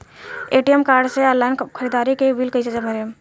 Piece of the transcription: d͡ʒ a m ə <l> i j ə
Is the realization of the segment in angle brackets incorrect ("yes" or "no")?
yes